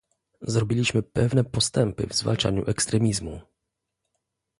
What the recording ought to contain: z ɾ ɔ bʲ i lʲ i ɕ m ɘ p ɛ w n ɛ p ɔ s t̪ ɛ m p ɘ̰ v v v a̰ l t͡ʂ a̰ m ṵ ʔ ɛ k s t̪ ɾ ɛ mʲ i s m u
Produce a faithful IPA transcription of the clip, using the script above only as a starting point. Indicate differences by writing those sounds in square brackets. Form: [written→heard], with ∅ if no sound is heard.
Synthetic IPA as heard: z ɾ ɔ bʲ i lʲ i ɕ m ɘ p ɛ [w→v] n ɛ p ɔ s t̪ ɛ m p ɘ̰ v [v→z] v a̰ l t͡ʂ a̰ [m→ɲ] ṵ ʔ ɛ k s t̪ ɾ ɛ mʲ i [s→z] m u